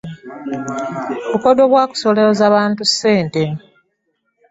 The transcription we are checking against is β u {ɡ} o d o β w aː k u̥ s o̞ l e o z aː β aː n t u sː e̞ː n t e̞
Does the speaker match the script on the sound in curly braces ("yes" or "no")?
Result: no